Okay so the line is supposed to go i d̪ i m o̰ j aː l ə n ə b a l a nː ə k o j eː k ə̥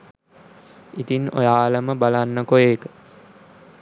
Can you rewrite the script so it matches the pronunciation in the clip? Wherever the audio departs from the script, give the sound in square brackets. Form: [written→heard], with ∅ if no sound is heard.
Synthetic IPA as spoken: i [d̪→t̪] i [m→n] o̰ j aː l ə [n→m] ə b a l a nː ə k o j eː k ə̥